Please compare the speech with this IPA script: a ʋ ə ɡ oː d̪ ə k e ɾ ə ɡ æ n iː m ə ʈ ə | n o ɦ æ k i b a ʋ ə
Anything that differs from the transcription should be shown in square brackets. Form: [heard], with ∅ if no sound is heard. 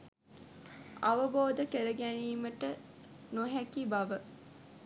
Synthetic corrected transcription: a ʋ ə [b] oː d̪ ə k e ɾ ə ɡ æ n iː m ə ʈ ə | n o ɦ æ k i b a ʋ ə